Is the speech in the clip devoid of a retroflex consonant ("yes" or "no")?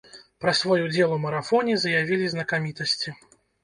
yes